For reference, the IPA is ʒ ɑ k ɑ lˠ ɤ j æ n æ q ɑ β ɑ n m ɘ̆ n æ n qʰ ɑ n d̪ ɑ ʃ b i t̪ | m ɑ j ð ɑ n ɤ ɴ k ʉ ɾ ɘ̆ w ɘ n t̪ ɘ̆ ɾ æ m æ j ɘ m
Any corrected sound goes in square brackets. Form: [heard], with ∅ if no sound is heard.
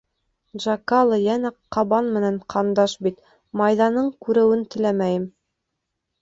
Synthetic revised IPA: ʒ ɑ k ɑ lˠ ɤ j æ n æ q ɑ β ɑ n m ɘ̆ n æ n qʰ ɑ n d̪ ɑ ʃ b i t̪ | m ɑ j ð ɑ n ɤ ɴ k ʉ ɾ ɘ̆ w ɘ n t̪ ɘ̆ [l] æ m æ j ɘ m